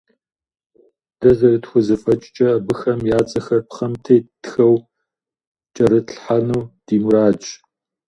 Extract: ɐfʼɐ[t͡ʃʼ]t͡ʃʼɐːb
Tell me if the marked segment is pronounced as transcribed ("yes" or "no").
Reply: yes